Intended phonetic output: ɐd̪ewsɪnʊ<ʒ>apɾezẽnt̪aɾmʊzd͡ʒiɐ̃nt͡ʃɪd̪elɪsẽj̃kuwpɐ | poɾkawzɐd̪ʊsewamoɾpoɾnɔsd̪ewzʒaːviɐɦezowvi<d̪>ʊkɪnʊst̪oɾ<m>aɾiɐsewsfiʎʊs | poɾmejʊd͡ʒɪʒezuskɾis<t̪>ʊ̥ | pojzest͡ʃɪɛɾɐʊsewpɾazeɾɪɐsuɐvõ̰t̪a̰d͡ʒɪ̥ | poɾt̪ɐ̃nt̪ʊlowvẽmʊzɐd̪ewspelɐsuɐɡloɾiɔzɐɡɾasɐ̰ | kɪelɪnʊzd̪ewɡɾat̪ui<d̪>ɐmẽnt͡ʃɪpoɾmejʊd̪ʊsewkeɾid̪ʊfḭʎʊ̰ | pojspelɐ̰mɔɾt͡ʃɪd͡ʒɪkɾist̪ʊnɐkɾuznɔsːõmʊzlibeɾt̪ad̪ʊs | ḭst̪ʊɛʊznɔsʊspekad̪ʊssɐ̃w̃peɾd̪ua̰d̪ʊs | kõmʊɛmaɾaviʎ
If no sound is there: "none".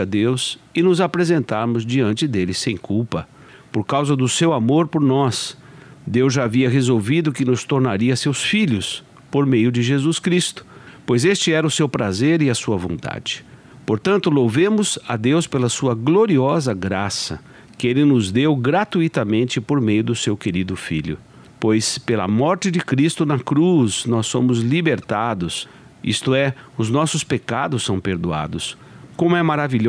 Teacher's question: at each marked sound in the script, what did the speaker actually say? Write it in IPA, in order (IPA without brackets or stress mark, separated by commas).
z, d̪, n, t̪, t̪